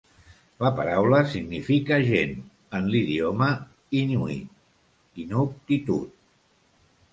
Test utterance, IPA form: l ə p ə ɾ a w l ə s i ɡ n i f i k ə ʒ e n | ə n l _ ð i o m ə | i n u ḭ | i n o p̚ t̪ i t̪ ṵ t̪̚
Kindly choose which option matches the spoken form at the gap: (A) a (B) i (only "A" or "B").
B